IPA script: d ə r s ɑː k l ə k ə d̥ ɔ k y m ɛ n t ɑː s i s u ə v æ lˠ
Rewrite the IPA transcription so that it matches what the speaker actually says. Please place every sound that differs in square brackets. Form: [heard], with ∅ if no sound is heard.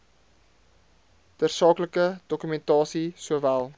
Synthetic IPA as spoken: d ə r s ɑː k l ə k ə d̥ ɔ k y m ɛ n t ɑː s i s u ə v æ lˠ